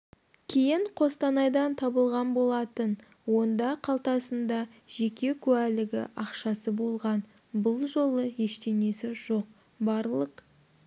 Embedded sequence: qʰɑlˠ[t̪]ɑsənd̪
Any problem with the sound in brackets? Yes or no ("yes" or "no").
no